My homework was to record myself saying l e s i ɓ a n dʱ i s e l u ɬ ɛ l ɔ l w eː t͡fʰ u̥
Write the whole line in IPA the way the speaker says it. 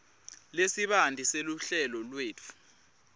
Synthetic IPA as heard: l e s i ɓ a n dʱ i s e l u ɬ ɛ l ɔ l w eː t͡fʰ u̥